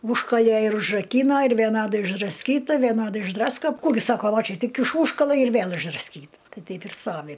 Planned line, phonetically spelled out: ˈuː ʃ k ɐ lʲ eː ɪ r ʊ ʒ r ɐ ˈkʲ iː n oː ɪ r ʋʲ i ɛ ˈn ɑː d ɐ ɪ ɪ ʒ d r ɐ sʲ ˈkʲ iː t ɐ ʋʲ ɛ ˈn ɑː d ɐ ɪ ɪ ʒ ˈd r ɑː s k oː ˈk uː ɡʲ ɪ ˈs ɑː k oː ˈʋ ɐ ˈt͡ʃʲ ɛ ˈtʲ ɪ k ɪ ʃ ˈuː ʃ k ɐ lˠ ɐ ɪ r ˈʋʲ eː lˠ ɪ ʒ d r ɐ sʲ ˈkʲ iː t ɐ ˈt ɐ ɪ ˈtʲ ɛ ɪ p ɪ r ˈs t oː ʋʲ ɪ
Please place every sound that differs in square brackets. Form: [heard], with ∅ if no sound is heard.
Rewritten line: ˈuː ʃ k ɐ lʲ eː ɪ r ʊ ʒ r ɐ ˈkʲ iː n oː ɪ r ʋʲ i ɛ ˈn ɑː d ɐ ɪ ɪ ʒ d r ɐ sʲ ˈkʲ iː t ɐ ʋʲ ɛ ˈn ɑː d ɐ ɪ ɪ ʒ ˈd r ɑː s k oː ˈk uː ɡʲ ɪ ˈs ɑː k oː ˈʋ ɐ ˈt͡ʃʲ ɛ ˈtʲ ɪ k ɪ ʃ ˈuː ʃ k ɐ lˠ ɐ ɪ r ˈʋʲ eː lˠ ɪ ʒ d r ɐ sʲ ˈkʲ iː t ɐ ˈt ɐ ɪ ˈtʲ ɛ ɪ p ɪ r ˈs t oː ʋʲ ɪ